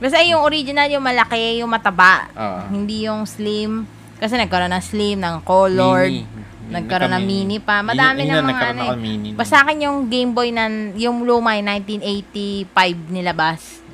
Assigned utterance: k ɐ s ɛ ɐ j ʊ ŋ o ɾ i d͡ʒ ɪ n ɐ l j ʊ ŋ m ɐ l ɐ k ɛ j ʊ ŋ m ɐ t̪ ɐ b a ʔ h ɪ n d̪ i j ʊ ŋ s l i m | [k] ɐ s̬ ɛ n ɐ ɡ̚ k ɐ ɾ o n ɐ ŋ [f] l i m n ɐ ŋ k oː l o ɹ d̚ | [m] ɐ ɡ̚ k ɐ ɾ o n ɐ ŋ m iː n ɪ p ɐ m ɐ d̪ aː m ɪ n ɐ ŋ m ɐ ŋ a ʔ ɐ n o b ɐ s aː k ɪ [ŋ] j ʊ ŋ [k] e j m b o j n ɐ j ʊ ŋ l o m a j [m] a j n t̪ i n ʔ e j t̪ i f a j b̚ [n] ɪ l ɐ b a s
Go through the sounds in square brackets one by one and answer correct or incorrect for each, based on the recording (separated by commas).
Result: correct, incorrect, incorrect, incorrect, incorrect, incorrect, correct